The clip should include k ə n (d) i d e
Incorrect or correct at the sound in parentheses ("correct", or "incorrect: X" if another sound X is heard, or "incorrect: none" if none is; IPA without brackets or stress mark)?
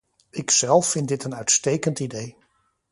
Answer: incorrect: t